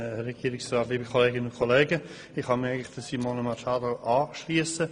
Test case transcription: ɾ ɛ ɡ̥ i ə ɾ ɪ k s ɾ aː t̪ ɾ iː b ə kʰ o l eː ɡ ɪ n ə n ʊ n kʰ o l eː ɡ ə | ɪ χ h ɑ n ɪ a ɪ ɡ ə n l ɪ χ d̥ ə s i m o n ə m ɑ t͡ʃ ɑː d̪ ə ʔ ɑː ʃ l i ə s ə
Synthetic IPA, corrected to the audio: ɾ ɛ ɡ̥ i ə ɾ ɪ k s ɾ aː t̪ l iː b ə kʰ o l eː ɡ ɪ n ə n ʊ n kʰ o l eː ɡ ə | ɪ χ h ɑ m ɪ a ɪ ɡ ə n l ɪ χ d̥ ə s i m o n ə m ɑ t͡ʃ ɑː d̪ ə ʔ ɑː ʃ l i ə s ə